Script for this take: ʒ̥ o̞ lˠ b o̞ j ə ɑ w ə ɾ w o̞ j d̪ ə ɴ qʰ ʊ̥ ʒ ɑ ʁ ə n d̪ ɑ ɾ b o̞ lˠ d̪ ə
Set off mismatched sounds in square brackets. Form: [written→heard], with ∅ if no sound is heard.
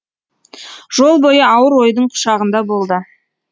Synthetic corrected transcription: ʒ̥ o̞ lˠ b o̞ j ə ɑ w ə ɾ w o̞ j d̪ ə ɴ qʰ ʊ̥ [ʒ→ʃ] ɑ ʁ ə n d̪ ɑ [ɾ→∅] b o̞ lˠ d̪ ə

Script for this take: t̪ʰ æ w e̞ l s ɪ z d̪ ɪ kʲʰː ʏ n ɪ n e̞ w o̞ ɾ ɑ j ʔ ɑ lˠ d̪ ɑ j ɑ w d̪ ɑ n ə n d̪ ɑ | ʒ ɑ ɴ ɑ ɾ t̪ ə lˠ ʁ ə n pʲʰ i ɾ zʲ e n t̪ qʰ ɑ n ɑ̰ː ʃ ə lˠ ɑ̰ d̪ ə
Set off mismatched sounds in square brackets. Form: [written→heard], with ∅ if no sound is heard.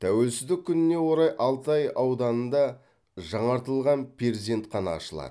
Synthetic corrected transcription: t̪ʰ æ w e̞ l s ɪ z d̪ ɪ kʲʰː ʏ n ɪ n e̞ w o̞ ɾ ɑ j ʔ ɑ lˠ [d̪→t̪] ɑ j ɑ w d̪ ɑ n ə n d̪ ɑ | ʒ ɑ ɴ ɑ ɾ t̪ ə lˠ ʁ [ə→ɑ] n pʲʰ [i→e] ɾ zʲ e n t̪ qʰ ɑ n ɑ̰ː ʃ ə lˠ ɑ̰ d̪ ə

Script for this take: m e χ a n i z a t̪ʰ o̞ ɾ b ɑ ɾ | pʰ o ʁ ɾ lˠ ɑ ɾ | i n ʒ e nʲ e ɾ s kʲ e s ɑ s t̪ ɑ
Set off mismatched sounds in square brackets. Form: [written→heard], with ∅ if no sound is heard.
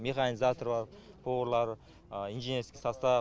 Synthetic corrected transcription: m e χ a n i z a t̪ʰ o̞ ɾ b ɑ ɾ | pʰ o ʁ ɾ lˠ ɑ ɾ | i n ʒ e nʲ e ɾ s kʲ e s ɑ s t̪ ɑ

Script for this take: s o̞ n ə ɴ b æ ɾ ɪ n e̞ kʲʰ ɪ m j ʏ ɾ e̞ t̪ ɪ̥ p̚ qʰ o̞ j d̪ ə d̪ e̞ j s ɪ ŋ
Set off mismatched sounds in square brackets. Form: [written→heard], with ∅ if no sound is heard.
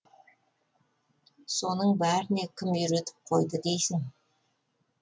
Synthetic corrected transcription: s o̞ n ə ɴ b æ ɾ ɪ n e̞ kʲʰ ɪ m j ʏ ɾ e̞ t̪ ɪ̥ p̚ qʰ o̞ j d̪ ə d̪ e̞ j s ɪ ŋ

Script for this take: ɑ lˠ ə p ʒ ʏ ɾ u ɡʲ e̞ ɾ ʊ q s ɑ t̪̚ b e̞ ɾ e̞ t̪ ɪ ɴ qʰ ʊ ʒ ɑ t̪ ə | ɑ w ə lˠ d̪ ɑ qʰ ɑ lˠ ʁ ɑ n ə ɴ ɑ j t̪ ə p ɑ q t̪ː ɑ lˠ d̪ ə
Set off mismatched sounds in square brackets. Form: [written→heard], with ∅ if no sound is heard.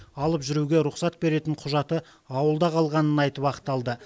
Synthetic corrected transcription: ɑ lˠ ə p ʒ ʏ ɾ u ɡʲ e̞ ɾ ʊ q s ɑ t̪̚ b e̞ ɾ e̞ t̪ ɪ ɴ qʰ ʊ ʒ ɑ t̪ ə | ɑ w ə lˠ d̪ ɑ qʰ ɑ lˠ ʁ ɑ n ə [ɴ→n] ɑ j t̪ ə p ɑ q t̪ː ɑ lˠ d̪ ə

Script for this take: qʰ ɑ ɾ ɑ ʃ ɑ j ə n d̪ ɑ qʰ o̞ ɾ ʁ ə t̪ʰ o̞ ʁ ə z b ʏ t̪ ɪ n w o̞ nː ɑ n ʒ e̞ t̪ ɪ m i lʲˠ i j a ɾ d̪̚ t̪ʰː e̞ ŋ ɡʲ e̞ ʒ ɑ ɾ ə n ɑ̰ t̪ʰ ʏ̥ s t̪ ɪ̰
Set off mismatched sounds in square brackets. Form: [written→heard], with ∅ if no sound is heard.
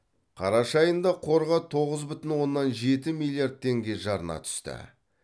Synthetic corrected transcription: qʰ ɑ ɾ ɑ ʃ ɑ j ə n d̪ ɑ qʰ o̞ ɾ ʁ [ə→ɑ] t̪ʰ o̞ ʁ ə z b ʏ t̪ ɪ n w o̞ nː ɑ n ʒ e̞ t̪ ɪ m i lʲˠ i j a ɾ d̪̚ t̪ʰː e̞ ŋ ɡʲ e̞ ʒ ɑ ɾ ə n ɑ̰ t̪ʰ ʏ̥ s t̪ ɪ̰

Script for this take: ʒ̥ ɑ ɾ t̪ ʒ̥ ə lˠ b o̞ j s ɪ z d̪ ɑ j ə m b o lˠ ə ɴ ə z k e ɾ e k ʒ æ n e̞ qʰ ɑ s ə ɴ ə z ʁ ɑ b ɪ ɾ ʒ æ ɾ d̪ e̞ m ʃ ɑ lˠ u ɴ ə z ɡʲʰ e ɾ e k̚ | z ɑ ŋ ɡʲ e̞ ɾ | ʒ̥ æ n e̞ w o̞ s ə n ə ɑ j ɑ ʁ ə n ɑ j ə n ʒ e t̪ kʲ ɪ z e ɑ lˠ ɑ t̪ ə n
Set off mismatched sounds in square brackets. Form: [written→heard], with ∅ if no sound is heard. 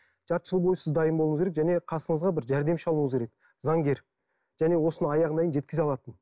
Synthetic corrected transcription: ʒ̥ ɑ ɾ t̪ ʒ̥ ə lˠ b o̞ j s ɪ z d̪ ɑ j ə m b o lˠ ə ɴ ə z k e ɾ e k ʒ æ n e̞ qʰ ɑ s ə ɴ ə z ʁ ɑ b ɪ ɾ ʒ æ ɾ d̪ e̞ m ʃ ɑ lˠ u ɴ ə z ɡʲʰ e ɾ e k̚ | z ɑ ŋ ɡʲ e̞ ɾ | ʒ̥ æ n e̞ w o̞ s ə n ə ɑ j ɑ ʁ ə n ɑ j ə n ʒ e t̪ kʲ ɪ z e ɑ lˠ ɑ t̪ ə n

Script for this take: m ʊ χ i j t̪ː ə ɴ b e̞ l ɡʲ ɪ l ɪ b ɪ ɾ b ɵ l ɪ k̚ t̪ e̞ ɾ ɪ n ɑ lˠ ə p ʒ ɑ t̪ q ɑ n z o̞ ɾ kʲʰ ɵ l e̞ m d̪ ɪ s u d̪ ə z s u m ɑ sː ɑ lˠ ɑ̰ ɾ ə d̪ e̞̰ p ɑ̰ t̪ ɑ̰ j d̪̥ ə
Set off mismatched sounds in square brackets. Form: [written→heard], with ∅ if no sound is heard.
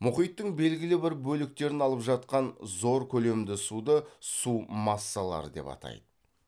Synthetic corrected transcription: m ʊ χ i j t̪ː ə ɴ b e̞ l ɡʲ ɪ l ɪ b ɪ ɾ b ɵ l ɪ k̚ t̪ e̞ ɾ ɪ n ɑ lˠ ə p ʒ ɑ t̪ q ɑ n z o̞ ɾ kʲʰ ɵ l e̞ m d̪ ɪ s u d̪ ə [z→∅] s u m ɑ sː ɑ lˠ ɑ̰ ɾ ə d̪ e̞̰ p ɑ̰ t̪ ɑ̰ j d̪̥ ə

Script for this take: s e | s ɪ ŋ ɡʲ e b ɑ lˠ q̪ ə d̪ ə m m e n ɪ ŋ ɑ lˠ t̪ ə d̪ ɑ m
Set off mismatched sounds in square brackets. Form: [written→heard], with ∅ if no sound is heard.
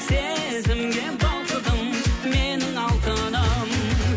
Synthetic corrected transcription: s e | [s→z] ɪ [ŋ→m] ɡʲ e b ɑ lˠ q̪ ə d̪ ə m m e n ɪ ŋ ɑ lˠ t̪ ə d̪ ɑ m

